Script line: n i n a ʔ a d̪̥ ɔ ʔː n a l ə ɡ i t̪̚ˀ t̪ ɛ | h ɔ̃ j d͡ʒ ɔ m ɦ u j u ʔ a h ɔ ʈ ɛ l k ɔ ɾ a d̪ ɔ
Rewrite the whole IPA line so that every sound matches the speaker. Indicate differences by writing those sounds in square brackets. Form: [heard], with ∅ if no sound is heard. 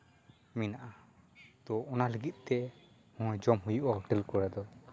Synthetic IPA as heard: [m] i n a ʔ a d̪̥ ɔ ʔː n a l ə ɡ i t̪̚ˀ t̪ ɛ | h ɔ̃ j d͡ʒ ɔ m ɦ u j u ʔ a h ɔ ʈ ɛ l k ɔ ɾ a d̪ ɔ